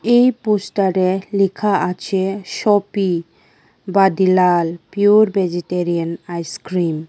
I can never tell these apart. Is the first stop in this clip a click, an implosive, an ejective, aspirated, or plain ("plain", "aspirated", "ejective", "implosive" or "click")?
plain